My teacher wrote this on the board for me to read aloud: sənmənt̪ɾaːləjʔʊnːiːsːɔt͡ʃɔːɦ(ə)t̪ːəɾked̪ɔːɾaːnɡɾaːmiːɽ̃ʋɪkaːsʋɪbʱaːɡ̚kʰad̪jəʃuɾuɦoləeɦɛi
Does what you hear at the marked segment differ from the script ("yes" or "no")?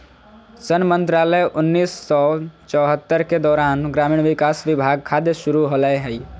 no